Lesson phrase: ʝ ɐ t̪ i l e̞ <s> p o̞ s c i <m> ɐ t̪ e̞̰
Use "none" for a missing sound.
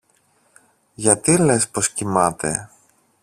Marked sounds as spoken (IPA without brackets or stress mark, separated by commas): s, m